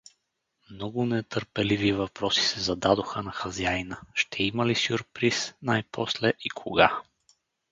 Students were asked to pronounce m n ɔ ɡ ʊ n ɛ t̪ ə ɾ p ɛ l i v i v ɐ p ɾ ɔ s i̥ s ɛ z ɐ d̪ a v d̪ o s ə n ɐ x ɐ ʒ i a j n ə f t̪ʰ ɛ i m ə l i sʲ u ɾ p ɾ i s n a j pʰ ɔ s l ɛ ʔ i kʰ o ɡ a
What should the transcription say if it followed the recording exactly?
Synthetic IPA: m n ɔ ɡ ʊ n ɛ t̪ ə ɾ p ɛ l i v i v ɐ p ɾ ɔ s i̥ s ɛ z ɐ d̪ a d̪ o x ə n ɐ x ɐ z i a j n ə ʃ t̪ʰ ɛ i m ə l i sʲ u ɾ p ɾ i s n a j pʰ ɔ s l ɛ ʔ i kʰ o ɡ a